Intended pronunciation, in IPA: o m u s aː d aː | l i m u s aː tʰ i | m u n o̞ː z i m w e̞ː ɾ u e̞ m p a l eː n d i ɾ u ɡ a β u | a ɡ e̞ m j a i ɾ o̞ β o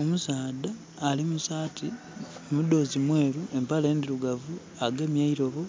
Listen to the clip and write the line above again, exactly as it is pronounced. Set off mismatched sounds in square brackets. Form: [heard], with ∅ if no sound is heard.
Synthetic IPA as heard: o m u s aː d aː | l i m u s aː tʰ i | m u [d] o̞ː z i m w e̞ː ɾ u e̞ m p a l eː n d i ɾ u ɡ a [v] u | a ɡ e̞ m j a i ɾ o̞ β o